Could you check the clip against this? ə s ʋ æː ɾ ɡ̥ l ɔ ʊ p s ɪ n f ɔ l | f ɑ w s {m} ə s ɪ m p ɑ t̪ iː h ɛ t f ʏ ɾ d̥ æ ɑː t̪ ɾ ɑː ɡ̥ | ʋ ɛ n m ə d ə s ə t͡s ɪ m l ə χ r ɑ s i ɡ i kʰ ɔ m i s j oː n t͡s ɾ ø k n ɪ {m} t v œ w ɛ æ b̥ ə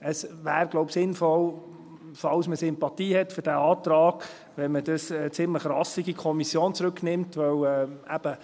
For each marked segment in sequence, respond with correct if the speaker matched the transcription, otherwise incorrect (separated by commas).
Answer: correct, correct